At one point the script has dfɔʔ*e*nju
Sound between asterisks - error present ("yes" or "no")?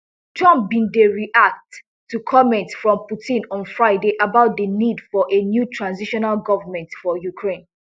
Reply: no